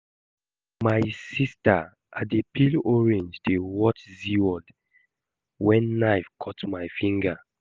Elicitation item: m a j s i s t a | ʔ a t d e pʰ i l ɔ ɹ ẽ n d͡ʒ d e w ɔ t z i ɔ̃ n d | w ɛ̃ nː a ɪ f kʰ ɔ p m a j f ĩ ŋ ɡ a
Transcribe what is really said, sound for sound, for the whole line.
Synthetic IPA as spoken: m a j s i s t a | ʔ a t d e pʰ i l ɔ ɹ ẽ n d͡ʒ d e w ɔ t z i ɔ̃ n d | w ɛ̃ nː a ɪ f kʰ ɔ t m a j f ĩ ŋ ɡ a